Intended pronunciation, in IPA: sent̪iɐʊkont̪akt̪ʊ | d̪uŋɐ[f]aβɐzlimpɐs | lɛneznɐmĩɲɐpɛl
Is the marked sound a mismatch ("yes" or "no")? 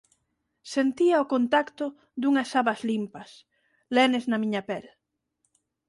yes